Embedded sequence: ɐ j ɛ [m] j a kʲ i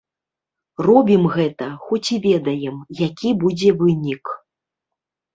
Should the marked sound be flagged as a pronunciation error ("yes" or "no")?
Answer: no